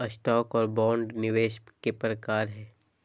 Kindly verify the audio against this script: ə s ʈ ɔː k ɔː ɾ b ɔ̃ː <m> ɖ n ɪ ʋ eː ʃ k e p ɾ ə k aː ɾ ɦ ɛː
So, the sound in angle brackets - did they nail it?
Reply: no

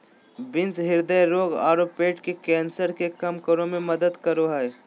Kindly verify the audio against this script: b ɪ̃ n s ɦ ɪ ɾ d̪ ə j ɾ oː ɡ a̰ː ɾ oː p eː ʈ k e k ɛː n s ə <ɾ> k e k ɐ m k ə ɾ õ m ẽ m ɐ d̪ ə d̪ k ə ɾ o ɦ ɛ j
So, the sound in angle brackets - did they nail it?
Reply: yes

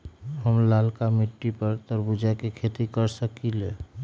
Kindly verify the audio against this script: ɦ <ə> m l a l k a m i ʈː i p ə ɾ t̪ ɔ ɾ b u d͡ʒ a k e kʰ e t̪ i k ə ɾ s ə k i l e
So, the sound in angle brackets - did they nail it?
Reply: yes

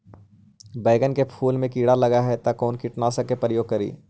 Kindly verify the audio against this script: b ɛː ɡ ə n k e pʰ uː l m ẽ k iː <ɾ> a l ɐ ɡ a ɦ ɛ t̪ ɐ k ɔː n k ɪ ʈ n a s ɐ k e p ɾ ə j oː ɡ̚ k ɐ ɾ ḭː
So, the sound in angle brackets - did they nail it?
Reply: no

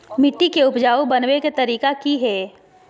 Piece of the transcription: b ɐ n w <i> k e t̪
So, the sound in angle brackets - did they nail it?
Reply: no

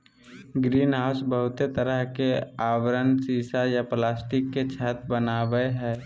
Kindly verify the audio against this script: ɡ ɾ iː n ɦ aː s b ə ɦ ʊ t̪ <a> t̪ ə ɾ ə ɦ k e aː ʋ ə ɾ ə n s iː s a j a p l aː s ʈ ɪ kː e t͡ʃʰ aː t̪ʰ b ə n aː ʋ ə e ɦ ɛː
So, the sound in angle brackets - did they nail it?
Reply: no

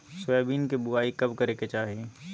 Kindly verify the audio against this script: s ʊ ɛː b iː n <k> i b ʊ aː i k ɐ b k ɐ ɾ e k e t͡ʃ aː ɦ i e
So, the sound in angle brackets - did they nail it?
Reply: yes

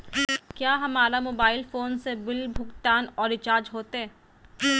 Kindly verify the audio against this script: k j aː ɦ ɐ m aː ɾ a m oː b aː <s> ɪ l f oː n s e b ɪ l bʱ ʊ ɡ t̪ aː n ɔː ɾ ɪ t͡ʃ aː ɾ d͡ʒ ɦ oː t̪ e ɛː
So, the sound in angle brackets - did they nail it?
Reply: no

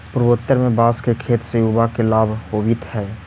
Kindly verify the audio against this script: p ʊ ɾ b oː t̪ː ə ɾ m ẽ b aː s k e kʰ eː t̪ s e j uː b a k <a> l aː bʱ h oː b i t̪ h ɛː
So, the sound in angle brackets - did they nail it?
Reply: no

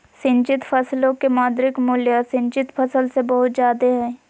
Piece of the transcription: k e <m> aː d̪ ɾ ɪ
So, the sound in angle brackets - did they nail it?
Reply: yes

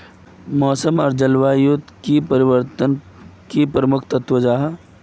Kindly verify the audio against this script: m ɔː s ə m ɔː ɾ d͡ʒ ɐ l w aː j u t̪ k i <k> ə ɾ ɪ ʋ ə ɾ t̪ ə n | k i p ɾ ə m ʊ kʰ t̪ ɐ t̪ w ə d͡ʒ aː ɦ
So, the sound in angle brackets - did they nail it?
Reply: no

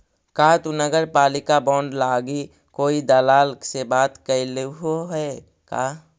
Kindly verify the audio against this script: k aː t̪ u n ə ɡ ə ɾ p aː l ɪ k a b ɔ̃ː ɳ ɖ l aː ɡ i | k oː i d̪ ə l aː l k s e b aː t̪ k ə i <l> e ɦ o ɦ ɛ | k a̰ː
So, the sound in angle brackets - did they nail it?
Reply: yes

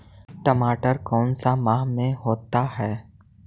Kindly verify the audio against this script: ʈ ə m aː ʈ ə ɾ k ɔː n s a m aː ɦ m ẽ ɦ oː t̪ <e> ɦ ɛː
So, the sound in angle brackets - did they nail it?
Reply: no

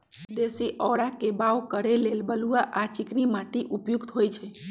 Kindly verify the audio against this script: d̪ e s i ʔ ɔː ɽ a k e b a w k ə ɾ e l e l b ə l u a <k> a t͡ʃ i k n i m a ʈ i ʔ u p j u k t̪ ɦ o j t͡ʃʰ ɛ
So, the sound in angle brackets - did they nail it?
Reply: no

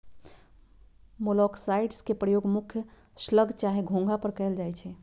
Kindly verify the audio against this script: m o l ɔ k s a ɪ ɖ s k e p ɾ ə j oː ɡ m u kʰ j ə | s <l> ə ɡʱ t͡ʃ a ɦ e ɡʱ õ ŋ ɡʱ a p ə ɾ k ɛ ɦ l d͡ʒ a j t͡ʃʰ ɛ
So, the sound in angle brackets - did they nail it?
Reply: yes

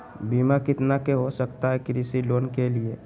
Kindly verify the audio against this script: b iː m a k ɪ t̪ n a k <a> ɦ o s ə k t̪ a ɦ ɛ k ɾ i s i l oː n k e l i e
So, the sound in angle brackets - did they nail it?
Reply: no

